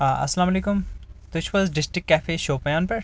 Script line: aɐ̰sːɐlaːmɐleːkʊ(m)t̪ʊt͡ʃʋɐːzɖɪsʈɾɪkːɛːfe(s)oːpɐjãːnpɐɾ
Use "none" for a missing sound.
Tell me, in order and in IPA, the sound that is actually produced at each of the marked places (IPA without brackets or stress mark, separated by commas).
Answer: m, ʃ